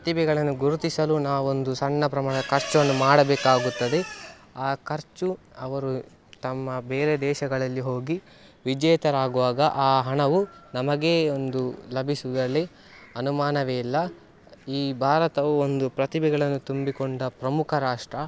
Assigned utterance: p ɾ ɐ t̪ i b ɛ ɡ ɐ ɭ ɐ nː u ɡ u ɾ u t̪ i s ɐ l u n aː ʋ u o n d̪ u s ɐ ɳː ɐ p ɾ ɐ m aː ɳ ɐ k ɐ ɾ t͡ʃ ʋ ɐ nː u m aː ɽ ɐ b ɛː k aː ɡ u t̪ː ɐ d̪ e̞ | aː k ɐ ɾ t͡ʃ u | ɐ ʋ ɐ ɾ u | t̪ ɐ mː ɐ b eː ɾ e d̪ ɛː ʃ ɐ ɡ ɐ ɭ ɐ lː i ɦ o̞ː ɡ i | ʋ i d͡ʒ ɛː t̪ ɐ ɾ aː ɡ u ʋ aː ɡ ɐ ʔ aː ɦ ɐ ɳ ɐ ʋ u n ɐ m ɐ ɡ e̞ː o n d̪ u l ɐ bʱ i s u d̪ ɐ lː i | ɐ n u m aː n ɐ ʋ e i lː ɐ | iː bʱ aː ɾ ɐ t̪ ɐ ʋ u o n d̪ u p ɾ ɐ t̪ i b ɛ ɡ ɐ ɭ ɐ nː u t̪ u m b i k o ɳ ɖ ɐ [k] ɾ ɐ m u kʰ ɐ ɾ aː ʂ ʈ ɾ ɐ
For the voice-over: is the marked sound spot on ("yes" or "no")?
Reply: no